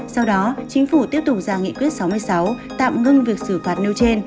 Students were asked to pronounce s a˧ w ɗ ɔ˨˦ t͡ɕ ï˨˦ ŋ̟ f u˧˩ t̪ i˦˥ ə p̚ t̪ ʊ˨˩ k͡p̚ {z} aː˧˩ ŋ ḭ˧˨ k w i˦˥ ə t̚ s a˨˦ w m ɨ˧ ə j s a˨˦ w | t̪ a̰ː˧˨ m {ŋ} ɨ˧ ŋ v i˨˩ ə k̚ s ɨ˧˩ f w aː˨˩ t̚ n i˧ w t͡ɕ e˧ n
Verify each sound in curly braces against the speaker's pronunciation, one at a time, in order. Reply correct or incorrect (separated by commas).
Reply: correct, correct